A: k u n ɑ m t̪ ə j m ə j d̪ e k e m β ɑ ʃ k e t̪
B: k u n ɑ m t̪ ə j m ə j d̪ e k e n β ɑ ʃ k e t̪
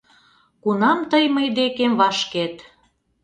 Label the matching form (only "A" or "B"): A